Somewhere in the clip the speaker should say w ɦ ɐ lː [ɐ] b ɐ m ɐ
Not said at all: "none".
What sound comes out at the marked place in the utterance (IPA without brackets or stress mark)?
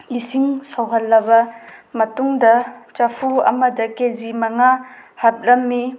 ɐ